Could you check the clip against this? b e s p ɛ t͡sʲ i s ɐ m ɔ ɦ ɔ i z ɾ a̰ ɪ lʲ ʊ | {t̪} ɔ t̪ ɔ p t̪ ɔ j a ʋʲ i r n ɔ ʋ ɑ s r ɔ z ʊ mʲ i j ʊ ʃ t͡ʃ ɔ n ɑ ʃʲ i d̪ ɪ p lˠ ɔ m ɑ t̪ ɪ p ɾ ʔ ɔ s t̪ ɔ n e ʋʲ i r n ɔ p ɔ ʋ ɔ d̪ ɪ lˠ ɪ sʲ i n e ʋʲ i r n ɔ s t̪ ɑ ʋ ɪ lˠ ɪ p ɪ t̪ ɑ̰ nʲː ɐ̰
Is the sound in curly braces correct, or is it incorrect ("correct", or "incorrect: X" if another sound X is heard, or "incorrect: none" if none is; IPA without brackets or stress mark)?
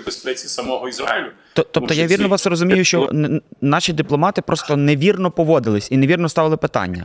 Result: correct